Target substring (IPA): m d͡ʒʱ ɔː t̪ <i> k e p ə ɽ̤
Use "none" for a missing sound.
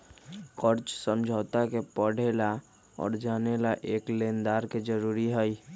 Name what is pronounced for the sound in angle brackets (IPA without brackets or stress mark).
a